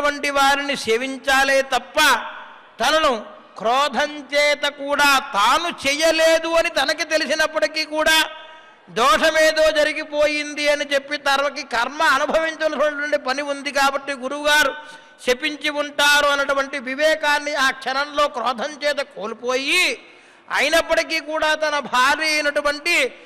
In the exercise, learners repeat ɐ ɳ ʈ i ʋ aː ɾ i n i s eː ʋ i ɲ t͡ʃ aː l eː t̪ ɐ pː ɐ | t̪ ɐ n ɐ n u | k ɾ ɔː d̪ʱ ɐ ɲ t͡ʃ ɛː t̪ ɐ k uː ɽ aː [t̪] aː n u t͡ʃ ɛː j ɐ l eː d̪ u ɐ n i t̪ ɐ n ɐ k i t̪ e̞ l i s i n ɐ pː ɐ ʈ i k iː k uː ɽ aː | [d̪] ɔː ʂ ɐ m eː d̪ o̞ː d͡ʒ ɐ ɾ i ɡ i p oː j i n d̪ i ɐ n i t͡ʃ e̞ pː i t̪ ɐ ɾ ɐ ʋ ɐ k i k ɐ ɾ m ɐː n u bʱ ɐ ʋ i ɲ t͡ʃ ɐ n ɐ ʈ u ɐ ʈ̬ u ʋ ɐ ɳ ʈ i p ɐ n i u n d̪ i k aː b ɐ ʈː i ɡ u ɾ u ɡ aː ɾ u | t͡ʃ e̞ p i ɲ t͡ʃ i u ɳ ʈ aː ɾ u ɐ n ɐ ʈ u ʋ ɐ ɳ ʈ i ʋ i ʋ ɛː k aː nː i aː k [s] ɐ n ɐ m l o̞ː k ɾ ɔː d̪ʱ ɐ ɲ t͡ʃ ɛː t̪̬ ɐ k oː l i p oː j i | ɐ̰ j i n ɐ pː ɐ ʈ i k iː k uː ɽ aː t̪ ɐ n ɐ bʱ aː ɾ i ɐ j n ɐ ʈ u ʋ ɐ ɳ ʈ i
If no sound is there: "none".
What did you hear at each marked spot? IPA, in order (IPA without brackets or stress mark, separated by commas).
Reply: t̪, d̪, ʂ